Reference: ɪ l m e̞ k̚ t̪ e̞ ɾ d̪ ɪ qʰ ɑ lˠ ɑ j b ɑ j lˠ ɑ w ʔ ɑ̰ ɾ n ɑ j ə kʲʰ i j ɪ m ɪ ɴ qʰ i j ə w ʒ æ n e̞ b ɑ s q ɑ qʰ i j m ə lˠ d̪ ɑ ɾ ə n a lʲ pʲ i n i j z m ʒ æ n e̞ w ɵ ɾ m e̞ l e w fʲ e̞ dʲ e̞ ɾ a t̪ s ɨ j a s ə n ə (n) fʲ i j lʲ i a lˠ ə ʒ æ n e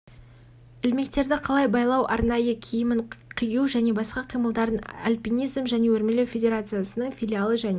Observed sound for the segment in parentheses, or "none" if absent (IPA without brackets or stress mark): ɴ